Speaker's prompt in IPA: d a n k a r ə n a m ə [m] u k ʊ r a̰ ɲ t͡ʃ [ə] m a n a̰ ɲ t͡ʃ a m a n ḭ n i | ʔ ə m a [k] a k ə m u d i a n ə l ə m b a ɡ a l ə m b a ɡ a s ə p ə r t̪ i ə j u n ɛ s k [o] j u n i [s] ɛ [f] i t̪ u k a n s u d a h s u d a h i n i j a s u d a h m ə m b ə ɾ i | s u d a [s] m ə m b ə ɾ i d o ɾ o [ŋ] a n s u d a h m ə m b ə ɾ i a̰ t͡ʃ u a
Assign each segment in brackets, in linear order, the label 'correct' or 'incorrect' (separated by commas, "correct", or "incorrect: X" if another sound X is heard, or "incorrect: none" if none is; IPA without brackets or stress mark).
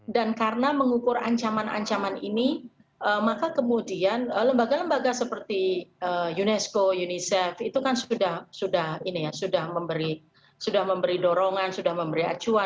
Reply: incorrect: ŋ, incorrect: a, correct, correct, correct, correct, incorrect: h, correct